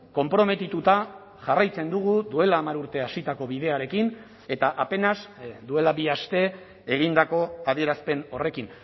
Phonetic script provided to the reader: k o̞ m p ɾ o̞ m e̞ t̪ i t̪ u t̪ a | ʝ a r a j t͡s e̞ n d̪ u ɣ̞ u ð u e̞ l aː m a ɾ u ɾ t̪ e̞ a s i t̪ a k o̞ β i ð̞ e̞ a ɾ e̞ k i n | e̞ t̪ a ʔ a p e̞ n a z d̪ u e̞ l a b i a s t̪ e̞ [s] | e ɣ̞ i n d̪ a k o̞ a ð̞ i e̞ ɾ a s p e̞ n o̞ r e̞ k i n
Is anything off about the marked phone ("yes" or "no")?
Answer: yes